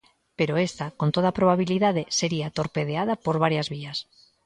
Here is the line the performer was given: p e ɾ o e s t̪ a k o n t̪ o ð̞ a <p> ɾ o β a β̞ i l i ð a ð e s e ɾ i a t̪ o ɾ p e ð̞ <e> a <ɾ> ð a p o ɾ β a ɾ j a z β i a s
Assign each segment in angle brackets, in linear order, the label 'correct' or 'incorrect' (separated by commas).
correct, correct, incorrect